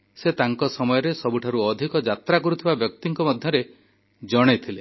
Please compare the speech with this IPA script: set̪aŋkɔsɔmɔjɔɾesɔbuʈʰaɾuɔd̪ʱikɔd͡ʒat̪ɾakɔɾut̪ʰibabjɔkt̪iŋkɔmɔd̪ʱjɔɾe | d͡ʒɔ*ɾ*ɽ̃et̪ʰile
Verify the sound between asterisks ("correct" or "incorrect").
incorrect